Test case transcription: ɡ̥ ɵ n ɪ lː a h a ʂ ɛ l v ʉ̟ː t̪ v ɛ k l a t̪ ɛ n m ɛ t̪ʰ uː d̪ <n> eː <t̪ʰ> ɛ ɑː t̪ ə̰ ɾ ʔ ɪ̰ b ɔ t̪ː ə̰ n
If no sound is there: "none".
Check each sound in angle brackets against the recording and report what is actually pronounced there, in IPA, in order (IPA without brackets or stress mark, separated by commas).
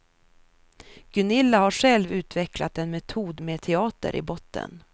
m, t̪ʰ